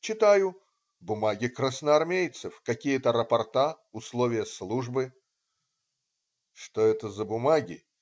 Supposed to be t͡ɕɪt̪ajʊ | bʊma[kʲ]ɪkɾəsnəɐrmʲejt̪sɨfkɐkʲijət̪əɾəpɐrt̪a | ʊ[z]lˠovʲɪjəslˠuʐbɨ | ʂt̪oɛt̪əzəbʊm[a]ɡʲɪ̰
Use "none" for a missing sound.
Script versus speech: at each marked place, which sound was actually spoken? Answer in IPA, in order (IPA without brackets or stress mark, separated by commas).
ɡʲ, s, a